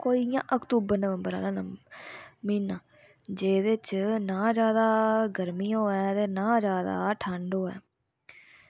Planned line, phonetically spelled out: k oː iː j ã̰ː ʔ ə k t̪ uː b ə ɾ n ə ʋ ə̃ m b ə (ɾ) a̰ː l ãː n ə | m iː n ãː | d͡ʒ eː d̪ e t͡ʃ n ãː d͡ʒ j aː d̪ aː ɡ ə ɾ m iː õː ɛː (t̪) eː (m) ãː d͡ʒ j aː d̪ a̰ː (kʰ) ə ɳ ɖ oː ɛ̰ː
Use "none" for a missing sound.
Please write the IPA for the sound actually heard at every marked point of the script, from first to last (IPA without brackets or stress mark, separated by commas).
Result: ɾ, t̪, n, ʈʰ